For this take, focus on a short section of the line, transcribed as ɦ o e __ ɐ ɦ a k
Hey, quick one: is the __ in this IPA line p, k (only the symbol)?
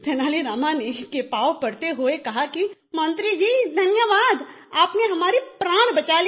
k